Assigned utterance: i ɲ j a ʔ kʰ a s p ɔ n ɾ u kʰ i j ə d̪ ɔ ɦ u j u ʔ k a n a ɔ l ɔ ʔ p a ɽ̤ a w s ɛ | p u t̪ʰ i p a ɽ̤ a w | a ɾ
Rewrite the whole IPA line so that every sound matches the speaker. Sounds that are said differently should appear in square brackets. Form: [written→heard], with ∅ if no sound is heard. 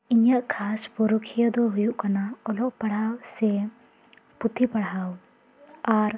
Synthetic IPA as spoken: i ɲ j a ʔ kʰ a s p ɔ [n→∅] ɾ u kʰ i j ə d̪ ɔ ɦ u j u ʔ k a n a ɔ l ɔ ʔ p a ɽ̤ a w s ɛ | p u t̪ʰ i p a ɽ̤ a w | a ɾ